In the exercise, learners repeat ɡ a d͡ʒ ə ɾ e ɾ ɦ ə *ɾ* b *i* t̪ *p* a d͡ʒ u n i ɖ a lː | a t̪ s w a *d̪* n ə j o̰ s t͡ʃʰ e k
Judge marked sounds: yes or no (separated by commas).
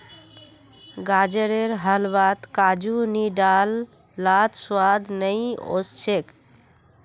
no, no, no, yes